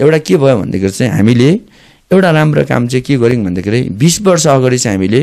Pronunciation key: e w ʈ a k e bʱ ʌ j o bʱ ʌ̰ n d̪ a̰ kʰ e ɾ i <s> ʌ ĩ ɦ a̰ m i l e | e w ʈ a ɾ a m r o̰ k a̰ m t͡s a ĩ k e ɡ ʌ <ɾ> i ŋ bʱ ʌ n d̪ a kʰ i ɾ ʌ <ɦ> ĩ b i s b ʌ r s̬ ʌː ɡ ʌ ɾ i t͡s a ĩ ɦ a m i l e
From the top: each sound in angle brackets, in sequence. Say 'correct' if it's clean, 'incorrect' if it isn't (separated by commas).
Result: incorrect, correct, incorrect